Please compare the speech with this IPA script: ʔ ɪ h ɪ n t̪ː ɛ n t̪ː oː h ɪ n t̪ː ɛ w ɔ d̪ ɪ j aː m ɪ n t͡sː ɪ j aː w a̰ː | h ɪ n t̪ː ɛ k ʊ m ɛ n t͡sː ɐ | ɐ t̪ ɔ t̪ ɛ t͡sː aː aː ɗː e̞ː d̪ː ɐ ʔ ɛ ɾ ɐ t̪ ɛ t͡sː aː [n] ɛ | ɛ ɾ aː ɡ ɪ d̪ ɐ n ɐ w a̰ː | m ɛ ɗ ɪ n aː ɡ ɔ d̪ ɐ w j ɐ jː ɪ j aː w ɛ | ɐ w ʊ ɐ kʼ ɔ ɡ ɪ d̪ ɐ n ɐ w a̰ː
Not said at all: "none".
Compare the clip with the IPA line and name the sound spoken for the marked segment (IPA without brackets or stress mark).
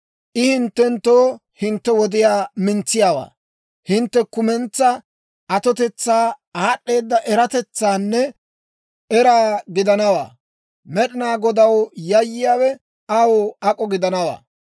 nː